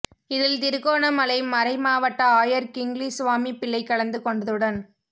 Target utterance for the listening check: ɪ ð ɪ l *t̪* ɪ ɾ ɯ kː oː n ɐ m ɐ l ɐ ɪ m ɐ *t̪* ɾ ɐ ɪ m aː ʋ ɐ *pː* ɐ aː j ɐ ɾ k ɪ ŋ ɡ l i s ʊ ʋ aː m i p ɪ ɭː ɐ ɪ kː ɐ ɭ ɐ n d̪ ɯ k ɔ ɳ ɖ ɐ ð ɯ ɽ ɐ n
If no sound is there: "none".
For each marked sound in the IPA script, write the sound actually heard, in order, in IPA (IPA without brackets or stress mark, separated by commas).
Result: t̪, none, ʈː